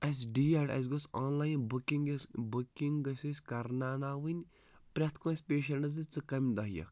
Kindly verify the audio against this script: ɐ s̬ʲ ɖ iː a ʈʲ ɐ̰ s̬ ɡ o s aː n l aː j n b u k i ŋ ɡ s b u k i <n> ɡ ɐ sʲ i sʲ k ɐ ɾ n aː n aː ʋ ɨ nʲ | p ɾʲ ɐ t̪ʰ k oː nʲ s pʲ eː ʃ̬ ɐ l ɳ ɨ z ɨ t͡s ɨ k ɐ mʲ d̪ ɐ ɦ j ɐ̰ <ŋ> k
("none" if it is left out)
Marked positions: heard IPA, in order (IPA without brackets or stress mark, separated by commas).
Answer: ŋ, none